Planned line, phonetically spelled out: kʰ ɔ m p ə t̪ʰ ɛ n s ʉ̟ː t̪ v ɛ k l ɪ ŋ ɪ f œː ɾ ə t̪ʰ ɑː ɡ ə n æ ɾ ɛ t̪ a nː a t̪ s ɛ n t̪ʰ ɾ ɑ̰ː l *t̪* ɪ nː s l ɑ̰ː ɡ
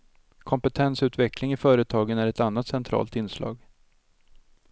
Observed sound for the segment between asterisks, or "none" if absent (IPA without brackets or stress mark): t̪